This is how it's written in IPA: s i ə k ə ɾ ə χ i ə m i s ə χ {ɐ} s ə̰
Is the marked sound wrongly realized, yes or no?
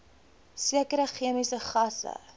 no